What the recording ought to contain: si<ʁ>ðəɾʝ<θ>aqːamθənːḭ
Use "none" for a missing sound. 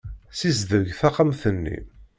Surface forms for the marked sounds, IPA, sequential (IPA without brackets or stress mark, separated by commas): z, θ